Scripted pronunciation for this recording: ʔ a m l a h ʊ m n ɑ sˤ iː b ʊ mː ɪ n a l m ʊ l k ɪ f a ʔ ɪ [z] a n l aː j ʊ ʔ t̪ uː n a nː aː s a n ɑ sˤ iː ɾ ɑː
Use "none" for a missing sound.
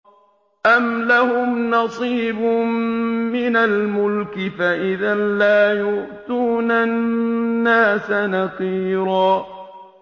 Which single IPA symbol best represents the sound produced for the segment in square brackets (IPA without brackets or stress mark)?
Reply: ð